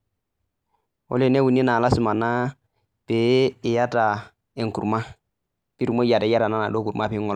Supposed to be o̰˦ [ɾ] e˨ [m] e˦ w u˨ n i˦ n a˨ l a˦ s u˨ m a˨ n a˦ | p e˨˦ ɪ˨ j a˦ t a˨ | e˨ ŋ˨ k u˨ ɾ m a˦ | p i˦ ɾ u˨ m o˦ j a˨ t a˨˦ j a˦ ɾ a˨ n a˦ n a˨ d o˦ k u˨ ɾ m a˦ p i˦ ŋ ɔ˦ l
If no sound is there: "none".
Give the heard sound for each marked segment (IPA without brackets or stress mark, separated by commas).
l, n